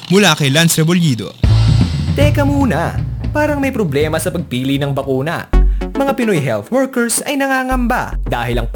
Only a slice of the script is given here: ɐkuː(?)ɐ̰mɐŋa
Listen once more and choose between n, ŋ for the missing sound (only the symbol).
n